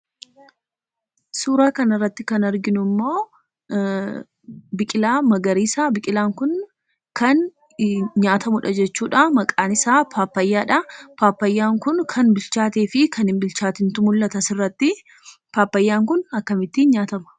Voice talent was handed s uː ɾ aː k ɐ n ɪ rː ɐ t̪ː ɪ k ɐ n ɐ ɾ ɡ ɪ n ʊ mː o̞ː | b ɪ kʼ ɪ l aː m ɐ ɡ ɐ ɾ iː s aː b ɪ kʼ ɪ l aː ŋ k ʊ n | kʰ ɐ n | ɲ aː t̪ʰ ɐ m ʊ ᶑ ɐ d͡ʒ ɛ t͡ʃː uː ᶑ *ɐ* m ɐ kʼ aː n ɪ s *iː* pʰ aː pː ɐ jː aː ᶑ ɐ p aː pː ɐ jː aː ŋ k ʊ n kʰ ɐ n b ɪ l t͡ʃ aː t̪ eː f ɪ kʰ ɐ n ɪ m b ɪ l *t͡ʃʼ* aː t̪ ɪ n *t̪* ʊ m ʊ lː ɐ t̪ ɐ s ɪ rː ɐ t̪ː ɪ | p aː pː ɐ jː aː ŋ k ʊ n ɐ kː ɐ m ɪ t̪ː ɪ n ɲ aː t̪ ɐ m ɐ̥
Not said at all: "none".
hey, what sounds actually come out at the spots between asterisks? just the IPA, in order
a, aː, t͡ʃ, t̪

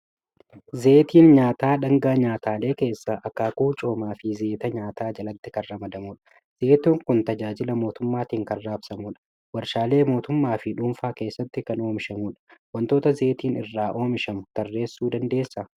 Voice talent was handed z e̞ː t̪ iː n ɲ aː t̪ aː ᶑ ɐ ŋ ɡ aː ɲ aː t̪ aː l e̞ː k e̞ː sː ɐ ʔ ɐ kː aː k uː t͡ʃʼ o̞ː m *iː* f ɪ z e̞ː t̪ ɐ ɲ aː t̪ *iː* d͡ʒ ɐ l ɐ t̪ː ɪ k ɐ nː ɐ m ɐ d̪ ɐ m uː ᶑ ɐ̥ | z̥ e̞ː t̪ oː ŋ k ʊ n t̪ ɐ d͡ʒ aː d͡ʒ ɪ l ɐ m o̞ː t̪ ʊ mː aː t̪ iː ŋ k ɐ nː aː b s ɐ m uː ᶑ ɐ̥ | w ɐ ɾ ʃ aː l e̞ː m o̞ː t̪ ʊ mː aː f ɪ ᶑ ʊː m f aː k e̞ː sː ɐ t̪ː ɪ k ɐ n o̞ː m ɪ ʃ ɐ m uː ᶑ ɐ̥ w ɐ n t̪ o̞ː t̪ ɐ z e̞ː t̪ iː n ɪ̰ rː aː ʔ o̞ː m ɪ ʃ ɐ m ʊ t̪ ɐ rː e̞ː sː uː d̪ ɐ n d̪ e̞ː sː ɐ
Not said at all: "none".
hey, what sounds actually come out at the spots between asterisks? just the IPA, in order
aː, aː

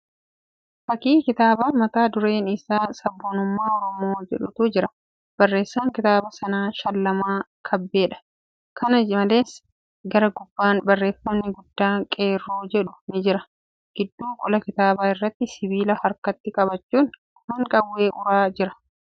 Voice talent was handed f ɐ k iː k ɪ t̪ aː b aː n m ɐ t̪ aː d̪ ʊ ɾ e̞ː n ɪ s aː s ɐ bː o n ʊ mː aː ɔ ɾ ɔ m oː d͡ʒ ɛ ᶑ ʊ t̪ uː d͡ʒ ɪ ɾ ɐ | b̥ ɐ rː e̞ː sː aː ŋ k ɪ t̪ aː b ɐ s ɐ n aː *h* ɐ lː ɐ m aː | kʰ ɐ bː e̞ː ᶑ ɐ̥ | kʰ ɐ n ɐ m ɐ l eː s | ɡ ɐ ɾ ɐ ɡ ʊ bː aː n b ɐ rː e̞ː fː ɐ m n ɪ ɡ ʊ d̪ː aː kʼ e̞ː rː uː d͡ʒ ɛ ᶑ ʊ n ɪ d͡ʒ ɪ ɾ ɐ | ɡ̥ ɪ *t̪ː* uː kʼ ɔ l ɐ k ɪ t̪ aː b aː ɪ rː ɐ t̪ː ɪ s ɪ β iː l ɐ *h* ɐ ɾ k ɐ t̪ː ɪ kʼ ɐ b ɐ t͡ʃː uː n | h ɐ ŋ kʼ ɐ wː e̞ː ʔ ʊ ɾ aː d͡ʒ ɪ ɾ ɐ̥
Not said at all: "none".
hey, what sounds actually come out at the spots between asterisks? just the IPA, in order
ʃ, d̪ː, h

